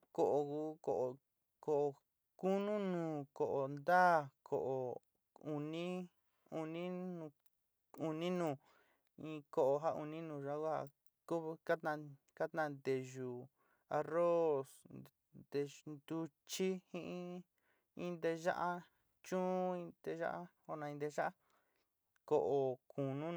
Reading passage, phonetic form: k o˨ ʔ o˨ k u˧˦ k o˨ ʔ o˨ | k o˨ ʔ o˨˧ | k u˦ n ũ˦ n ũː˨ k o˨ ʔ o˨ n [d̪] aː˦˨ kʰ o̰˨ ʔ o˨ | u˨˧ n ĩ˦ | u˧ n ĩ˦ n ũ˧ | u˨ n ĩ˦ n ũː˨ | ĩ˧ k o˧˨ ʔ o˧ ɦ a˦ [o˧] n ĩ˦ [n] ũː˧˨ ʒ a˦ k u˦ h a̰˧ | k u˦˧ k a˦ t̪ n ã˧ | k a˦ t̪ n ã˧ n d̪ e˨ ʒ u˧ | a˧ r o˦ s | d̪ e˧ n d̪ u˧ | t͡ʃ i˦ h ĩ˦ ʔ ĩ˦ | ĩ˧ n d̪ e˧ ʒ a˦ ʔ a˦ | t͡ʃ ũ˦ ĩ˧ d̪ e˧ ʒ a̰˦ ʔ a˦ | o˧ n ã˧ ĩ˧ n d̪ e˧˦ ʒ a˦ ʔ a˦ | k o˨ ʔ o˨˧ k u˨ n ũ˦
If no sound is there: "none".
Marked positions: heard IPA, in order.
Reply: d̪, u˧, n

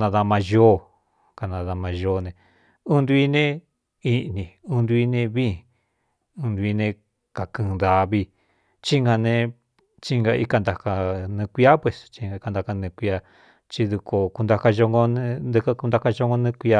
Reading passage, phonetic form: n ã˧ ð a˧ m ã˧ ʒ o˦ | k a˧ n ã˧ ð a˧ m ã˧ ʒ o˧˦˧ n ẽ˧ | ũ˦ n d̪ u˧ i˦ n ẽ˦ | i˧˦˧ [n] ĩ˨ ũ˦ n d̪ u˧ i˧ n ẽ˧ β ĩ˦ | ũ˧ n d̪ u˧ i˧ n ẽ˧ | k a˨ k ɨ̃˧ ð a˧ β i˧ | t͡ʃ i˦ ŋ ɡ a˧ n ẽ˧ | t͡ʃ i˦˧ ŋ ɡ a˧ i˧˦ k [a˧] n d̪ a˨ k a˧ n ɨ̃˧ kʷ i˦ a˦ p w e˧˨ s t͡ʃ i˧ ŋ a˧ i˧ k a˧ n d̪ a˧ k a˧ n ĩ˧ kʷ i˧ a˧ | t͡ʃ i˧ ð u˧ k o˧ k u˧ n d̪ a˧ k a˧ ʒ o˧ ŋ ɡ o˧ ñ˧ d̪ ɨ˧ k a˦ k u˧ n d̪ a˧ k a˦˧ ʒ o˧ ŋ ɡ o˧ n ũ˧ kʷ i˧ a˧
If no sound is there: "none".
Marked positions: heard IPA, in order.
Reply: n, a˧

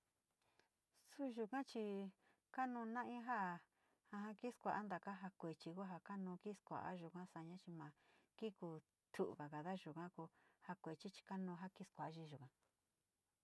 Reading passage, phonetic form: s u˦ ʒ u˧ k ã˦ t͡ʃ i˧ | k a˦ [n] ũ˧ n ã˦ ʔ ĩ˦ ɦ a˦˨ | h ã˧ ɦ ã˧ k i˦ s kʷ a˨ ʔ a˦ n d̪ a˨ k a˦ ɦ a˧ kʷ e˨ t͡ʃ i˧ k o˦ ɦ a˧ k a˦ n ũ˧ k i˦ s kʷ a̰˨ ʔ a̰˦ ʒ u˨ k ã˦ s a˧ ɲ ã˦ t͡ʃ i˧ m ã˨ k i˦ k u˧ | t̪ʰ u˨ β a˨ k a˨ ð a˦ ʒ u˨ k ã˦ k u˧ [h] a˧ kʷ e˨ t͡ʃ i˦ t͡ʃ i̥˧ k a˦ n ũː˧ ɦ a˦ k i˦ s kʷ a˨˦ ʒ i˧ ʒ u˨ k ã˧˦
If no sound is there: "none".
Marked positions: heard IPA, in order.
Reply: n, h

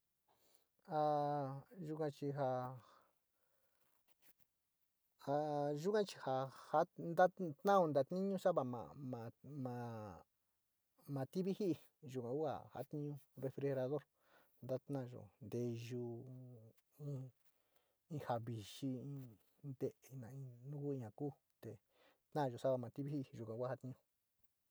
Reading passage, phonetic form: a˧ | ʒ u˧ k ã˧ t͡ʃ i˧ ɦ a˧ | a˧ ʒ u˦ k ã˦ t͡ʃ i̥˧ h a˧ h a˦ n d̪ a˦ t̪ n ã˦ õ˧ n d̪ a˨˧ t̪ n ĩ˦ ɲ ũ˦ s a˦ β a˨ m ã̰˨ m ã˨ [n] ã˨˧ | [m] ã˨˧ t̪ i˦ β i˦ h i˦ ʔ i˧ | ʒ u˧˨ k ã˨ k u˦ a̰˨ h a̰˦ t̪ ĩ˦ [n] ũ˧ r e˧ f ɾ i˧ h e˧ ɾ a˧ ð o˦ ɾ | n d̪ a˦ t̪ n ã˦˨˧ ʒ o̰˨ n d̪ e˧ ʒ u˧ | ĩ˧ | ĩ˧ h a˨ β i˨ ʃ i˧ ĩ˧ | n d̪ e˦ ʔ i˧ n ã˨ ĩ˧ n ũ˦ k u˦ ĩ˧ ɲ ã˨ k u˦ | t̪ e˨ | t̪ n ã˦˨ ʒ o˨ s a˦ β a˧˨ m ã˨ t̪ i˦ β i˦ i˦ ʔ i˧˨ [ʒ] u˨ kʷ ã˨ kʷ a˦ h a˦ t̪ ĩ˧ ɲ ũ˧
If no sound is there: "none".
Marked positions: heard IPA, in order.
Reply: m, m, ɲ, ʒ

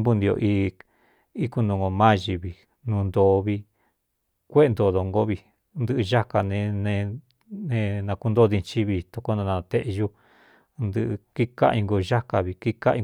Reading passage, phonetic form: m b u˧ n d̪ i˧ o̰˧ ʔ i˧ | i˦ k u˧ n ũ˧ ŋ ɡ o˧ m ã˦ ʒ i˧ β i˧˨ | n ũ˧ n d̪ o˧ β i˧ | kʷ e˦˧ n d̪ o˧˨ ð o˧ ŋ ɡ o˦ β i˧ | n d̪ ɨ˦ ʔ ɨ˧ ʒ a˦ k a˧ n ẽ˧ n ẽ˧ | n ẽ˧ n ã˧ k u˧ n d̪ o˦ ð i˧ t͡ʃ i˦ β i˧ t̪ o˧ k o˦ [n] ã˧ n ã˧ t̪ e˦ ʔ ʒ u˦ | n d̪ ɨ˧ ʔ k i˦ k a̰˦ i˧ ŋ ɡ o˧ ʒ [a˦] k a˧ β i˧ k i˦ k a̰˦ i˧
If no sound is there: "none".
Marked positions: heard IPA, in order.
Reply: n, a˦

